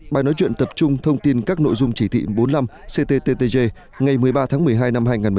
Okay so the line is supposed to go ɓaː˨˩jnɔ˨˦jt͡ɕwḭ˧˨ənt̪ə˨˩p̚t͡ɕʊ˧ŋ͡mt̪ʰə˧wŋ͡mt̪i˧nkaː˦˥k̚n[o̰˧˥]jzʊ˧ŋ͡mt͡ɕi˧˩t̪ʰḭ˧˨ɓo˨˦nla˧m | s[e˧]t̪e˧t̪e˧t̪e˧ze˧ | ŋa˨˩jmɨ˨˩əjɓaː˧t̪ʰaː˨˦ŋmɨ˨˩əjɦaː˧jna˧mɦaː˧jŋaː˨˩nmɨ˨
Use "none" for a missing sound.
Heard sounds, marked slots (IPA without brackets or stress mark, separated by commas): o̰˧˨, e˧